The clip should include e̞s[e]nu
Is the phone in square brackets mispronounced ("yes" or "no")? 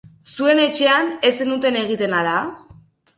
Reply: no